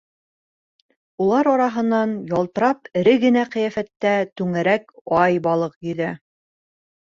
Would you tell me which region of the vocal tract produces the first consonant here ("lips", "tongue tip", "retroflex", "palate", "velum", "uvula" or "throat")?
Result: tongue tip